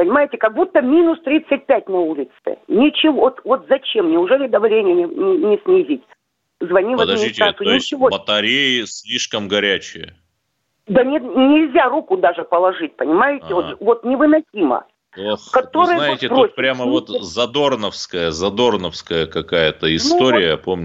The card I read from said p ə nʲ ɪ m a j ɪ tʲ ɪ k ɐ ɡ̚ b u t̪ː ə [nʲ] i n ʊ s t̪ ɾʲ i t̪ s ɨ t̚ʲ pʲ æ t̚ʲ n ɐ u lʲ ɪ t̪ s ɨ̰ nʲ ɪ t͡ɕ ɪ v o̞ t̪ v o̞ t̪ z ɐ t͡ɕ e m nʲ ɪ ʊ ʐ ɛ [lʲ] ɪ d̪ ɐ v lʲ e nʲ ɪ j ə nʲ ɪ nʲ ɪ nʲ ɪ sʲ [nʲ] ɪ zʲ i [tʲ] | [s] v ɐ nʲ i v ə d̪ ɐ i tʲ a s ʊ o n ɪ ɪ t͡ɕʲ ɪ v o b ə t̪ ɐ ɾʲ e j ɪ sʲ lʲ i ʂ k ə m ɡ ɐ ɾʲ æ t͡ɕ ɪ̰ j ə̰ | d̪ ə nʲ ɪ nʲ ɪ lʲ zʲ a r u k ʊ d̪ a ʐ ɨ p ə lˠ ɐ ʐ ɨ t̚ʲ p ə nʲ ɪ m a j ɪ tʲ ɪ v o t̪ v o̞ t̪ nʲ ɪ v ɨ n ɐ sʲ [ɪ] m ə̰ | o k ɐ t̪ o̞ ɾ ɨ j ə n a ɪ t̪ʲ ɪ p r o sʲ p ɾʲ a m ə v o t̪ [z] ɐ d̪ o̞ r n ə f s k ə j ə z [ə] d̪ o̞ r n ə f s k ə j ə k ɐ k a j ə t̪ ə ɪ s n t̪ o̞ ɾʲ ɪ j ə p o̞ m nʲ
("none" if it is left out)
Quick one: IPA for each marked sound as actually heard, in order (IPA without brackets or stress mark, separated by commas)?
mʲ, lʲ, nʲ, tʲ, z, i, z, ɐ